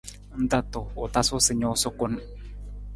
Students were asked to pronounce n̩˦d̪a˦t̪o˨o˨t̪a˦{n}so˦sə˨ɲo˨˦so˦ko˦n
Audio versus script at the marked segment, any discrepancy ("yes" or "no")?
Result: yes